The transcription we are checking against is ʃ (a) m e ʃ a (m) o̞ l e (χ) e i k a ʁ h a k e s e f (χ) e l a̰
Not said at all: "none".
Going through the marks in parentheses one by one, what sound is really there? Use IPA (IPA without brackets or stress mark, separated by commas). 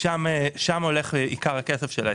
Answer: a, m, χ, ʃ